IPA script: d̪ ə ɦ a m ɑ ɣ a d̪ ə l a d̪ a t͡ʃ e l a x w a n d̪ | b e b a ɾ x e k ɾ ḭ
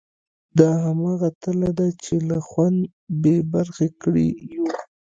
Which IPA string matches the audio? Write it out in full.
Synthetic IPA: d̪ ɑ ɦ a m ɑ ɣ a t̪ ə l a d̪ a t͡ʃ e l a x w a n d̪ | b e b a ɾ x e k ɽ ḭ